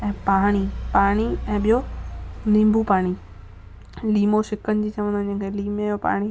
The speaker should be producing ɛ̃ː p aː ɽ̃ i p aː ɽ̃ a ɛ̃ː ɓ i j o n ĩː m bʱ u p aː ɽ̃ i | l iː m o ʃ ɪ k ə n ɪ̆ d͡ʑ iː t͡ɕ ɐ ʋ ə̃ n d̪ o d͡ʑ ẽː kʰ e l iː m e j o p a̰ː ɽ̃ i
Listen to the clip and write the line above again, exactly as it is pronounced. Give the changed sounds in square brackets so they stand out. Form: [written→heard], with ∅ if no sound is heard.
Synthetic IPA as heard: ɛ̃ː p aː ɽ̃ i p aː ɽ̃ [a→i] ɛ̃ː ɓ i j o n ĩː m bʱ u p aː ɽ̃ i | l iː m o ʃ ɪ k ə n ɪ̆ d͡ʑ iː t͡ɕ ɐ ʋ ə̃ n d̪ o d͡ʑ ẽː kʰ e l iː m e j o p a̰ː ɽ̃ i